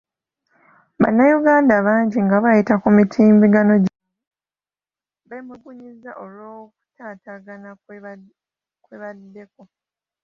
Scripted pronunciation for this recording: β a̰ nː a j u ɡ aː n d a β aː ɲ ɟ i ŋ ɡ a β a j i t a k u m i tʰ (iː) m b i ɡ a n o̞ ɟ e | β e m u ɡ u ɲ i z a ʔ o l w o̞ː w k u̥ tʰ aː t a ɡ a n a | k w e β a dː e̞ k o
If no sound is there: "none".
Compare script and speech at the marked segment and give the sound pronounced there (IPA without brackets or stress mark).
iː